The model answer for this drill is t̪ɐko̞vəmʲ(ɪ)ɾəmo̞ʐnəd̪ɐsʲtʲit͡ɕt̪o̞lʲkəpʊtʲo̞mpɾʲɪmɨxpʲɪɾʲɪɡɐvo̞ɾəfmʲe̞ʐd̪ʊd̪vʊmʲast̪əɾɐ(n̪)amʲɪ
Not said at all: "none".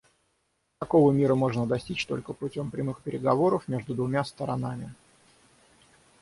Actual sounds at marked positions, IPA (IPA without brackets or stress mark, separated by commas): i, n̪